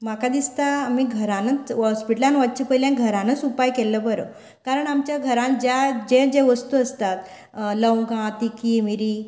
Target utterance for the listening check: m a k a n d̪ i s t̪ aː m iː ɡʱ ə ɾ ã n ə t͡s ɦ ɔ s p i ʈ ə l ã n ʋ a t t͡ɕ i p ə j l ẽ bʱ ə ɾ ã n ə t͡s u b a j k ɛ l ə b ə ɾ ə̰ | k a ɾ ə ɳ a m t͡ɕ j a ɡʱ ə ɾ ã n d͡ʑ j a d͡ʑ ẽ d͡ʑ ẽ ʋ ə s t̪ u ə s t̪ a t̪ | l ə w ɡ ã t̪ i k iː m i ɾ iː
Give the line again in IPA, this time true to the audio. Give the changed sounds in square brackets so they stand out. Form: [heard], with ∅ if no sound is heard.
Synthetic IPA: m a k a [∅] d̪ i s t̪ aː m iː ɡʱ ə ɾ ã n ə t͡s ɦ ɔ s p i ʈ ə l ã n ʋ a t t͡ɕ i p ə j l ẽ [ɡʱ] ə ɾ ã n ə t͡s u [p] a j k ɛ l ə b ə ɾ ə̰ | k a ɾ ə ɳ a m t͡ɕ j a ɡʱ ə ɾ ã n d͡ʑ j a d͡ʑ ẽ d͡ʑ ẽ ʋ ə s t̪ u ə s t̪ a t̪ | l ə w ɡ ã t̪ i k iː m i ɾ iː